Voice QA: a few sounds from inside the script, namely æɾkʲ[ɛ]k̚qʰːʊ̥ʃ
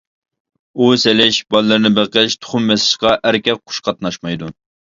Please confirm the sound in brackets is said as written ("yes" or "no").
yes